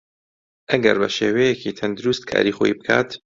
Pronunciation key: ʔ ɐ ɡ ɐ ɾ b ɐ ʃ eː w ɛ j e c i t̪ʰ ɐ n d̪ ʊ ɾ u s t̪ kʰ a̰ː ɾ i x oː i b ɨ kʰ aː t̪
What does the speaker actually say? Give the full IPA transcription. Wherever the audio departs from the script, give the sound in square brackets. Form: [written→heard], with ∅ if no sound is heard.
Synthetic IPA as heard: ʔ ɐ ɡ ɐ ɾ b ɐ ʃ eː w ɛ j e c i t̪ʰ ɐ n d̪ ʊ ɾ u s t̪ kʰ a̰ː ɾ i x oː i b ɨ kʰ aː t̪